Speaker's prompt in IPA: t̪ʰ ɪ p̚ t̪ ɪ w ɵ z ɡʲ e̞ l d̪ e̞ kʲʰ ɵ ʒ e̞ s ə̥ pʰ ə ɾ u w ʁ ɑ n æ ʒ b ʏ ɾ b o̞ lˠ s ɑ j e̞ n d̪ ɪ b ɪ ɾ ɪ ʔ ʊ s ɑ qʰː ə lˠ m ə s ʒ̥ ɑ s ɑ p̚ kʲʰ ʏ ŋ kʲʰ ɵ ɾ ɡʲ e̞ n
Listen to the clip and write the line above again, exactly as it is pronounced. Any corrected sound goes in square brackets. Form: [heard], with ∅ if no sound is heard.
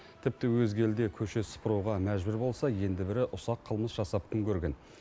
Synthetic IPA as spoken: t̪ʰ ɪ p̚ t̪ ɪ w ɵ z ɡʲ e̞ l d̪ e̞ kʲʰ ɵ [ʃ] e̞ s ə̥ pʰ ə ɾ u w ʁ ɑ [m] æ ʒ b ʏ ɾ b o̞ lˠ s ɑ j e̞ n d̪ ɪ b ɪ ɾ ɪ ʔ ʊ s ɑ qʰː ə lˠ m ə s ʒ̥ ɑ s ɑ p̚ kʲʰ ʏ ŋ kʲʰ ɵ ɾ ɡʲ e̞ n